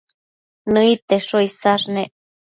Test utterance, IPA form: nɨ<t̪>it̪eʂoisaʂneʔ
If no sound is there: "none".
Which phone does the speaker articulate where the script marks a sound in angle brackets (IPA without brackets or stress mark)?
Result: none